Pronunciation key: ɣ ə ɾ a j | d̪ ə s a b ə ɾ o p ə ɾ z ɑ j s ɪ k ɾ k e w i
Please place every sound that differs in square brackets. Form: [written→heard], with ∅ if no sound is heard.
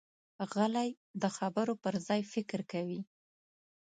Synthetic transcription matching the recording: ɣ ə [ɾ→l] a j | d̪ ə [s→x] a b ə ɾ o p ə ɾ z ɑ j [s→f] ɪ k ɾ k [e→a] w i